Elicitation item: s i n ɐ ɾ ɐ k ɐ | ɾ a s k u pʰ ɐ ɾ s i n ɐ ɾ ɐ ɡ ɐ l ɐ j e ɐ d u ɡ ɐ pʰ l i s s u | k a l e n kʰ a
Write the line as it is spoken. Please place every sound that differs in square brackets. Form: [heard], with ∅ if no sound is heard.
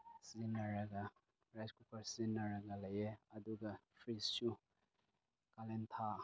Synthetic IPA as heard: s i n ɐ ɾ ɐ [ɡ] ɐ | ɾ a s k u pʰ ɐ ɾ s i n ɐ ɾ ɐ ɡ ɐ l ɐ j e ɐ d u ɡ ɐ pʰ [ɾ] i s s u | k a l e n [tʰ] a